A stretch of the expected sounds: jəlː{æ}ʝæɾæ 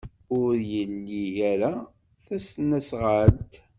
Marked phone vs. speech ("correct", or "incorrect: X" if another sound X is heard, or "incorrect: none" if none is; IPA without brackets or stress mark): incorrect: i